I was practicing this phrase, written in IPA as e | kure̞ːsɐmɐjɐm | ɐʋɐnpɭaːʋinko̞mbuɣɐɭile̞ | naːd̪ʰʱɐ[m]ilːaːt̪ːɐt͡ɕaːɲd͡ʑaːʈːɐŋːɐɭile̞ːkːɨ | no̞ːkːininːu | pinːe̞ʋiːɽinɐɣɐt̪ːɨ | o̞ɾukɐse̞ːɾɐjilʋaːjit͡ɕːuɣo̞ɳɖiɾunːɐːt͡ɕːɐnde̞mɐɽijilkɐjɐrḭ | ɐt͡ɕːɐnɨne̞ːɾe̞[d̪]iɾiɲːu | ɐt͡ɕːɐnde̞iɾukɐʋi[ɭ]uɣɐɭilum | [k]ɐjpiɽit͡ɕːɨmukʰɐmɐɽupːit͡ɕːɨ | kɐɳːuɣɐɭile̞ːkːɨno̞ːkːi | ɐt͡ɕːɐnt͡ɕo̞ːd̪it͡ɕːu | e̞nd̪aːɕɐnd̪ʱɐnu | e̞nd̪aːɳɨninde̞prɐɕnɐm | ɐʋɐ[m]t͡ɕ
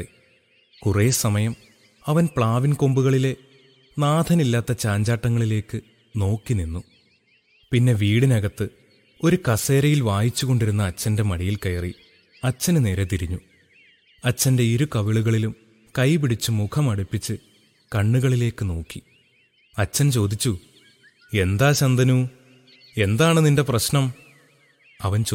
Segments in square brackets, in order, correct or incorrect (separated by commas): incorrect, incorrect, correct, correct, incorrect